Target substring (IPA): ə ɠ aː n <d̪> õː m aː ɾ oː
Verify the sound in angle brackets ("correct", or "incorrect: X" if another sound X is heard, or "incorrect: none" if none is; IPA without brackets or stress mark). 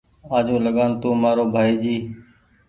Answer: incorrect: t̪